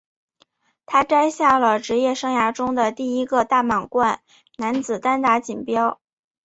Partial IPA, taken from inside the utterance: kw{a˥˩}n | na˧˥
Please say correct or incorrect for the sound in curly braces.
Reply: correct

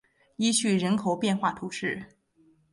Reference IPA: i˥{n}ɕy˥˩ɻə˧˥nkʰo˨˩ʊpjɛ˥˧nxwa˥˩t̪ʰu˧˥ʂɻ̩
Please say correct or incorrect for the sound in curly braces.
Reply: incorrect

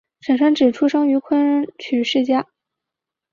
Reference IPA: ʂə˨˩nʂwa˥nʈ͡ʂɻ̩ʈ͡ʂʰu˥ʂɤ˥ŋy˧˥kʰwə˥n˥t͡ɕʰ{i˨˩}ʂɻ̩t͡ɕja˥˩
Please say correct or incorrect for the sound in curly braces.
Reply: incorrect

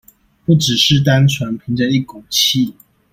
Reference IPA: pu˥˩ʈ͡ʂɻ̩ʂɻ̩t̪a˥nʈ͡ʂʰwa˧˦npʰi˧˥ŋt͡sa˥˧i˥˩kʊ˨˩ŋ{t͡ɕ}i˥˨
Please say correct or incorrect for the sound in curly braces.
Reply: incorrect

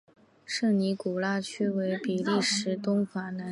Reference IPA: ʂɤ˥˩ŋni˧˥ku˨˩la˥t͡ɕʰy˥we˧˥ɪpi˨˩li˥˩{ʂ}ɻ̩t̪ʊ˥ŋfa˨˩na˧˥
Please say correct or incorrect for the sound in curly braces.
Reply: correct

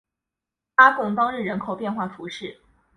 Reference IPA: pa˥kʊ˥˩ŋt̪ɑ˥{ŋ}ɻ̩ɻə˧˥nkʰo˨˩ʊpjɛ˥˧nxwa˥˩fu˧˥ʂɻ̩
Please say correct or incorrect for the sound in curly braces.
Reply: correct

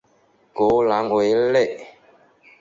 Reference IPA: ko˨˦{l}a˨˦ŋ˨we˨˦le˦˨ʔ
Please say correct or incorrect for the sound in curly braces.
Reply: correct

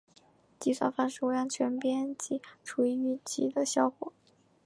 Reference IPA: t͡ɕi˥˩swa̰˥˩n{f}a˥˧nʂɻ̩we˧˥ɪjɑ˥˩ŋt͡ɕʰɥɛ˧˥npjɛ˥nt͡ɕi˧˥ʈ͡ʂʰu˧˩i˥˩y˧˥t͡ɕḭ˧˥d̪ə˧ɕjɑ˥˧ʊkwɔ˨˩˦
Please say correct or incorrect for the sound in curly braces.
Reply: correct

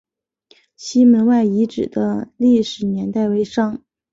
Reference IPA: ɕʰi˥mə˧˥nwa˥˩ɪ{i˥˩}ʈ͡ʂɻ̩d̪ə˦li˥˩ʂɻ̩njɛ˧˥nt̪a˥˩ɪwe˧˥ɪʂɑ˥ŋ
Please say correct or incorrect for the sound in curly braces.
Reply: incorrect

